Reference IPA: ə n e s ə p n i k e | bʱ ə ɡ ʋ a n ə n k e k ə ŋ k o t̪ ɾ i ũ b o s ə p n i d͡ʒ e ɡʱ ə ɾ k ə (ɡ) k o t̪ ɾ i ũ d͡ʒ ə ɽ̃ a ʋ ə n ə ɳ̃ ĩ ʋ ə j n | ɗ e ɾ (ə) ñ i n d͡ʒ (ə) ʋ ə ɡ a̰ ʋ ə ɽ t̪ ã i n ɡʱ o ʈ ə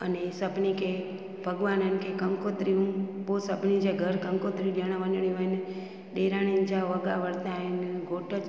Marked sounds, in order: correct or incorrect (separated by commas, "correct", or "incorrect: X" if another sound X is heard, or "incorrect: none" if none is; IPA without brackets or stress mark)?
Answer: incorrect: ŋ, incorrect: a, incorrect: a